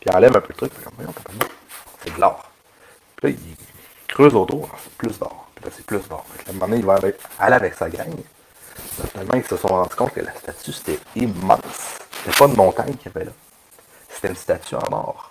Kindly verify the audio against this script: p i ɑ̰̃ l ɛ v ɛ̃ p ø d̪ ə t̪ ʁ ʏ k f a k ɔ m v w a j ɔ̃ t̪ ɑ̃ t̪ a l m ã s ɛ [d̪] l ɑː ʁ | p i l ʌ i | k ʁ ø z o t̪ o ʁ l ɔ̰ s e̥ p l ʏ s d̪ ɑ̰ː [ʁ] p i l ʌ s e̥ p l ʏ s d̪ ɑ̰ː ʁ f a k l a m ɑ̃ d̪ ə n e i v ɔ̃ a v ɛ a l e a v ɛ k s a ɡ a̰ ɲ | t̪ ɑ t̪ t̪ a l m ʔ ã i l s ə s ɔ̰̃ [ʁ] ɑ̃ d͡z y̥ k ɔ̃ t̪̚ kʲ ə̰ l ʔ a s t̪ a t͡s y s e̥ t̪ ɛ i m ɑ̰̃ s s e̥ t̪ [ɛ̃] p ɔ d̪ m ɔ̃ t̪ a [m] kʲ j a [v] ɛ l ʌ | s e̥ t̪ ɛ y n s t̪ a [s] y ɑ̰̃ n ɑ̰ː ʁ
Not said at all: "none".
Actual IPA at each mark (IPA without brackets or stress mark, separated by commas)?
d̪, ʁ, ʁ, ɛ, ɲ, v, t͡s